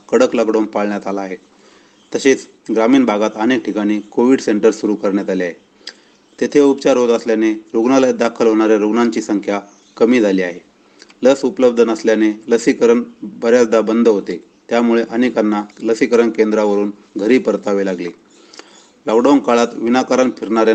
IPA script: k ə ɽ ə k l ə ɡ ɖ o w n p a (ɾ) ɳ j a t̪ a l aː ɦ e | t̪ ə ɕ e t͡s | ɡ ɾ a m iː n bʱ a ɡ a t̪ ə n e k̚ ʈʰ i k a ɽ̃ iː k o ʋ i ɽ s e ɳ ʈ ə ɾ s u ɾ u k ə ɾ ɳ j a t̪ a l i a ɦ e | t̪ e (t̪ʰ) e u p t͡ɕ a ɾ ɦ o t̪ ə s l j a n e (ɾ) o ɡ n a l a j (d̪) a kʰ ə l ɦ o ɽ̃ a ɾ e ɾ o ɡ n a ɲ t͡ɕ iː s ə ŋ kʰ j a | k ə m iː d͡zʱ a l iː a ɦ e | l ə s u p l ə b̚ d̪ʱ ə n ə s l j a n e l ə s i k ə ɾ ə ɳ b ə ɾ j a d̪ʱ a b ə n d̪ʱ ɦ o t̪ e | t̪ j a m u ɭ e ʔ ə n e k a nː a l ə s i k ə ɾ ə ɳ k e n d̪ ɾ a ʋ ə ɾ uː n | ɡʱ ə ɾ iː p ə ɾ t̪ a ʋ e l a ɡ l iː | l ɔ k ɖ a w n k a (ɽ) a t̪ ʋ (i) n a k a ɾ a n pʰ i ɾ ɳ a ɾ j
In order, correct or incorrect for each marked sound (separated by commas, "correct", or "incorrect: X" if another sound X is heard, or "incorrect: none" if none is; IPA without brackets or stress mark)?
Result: incorrect: ɭ, correct, correct, correct, incorrect: ɭ, correct